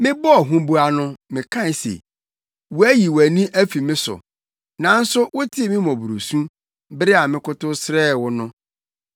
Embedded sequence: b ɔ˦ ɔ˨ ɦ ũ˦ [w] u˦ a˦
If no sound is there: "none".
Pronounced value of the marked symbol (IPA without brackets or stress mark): b